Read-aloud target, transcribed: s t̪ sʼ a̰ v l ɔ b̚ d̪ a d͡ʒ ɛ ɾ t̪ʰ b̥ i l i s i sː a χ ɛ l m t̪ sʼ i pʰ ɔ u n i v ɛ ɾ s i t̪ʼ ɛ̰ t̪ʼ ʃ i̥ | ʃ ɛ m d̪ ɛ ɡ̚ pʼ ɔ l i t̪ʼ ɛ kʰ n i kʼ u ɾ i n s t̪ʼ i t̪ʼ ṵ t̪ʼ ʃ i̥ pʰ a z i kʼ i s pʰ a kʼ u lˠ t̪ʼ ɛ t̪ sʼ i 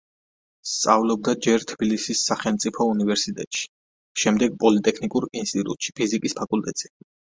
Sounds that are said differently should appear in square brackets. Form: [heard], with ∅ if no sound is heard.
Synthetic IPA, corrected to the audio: s t̪ sʼ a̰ v l ɔ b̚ d̪ a d͡ʒ ɛ ɾ t̪ʰ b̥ i l i s i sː a χ ɛ l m t̪ sʼ i pʰ ɔ u n i v ɛ ɾ s i t̪ʼ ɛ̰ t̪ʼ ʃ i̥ | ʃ ɛ m d̪ ɛ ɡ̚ pʼ ɔ l i t̪ʼ ɛ kʰ n i kʼ u ɾ i n s t̪ʼ i t̪ʼ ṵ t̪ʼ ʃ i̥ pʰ [i] z i kʼ i s pʰ a kʼ u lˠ t̪ʼ ɛ t̪ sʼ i